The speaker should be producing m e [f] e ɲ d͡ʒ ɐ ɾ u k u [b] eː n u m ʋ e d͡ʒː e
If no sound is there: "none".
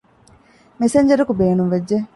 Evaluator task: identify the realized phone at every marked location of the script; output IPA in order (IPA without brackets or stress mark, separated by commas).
s, b